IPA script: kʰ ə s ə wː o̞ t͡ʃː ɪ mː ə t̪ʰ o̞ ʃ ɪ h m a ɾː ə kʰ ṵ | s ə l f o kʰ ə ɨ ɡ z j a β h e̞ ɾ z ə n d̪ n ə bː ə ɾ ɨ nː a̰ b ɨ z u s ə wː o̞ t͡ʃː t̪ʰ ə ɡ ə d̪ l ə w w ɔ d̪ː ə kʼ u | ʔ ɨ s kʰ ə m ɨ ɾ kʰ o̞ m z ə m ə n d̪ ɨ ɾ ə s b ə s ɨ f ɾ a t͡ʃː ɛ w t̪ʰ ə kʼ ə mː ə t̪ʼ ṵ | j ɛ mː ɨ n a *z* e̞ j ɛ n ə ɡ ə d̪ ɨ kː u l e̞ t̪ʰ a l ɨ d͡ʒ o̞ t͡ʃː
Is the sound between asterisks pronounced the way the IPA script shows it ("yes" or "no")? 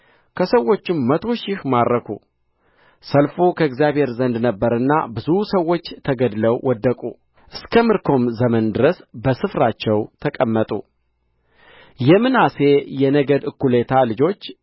no